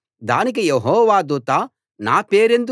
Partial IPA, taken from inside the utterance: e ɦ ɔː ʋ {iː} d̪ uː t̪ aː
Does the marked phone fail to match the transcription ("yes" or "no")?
yes